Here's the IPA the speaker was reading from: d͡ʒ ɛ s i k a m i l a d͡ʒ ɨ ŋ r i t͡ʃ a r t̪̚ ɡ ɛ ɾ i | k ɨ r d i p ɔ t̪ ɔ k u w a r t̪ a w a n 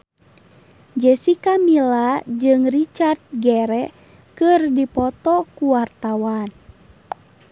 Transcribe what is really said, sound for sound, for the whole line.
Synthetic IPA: d͡ʒ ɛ s i k a m i l a d͡ʒ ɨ ŋ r i t͡ʃ a r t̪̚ ɡ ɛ ɾ ɛ | k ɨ r d i p ɔ t̪ ɔ k u w a r t̪ a w a n